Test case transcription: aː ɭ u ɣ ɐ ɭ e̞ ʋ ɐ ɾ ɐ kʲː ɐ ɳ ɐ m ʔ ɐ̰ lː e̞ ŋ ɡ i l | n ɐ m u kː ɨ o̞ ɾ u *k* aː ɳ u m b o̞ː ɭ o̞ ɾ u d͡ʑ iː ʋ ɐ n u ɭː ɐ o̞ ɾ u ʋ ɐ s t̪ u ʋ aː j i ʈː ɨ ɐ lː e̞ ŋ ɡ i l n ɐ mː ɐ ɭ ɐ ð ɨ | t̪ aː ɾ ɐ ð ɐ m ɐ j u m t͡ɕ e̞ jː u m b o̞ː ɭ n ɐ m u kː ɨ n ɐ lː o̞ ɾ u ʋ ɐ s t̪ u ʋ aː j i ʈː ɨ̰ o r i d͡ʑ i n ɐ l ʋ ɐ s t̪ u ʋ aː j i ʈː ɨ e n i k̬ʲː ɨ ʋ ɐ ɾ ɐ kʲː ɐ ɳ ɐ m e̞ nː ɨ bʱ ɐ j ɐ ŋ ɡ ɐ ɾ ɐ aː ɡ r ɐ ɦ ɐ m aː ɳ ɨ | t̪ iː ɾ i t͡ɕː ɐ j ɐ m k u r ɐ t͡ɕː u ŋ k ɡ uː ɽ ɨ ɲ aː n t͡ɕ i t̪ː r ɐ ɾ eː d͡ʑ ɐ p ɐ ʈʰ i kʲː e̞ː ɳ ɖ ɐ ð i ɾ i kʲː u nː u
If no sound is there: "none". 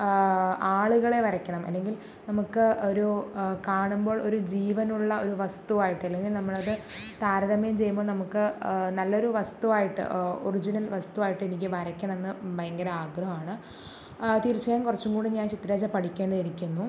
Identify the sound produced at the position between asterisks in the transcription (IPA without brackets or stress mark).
k